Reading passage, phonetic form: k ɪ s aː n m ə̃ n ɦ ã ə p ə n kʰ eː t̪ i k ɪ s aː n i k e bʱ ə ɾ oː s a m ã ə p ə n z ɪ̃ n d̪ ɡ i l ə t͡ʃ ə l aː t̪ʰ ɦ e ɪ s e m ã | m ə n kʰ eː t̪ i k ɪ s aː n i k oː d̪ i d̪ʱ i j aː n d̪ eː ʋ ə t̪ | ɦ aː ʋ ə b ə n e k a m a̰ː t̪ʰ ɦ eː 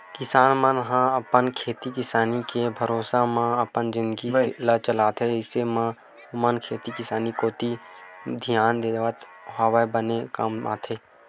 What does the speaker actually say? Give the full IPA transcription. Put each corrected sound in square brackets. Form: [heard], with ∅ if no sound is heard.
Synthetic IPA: k ɪ s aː n m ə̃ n ɦ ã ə p ə n kʰ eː t̪ i k ɪ s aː n i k e bʱ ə ɾ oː s a m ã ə p ə n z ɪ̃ n d̪ ɡ i l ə t͡ʃ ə l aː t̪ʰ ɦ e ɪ s e m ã | m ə n kʰ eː t̪ i k ɪ s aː n i k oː [t̪] i d̪ʱ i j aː n d̪ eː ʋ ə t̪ | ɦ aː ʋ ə b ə n e k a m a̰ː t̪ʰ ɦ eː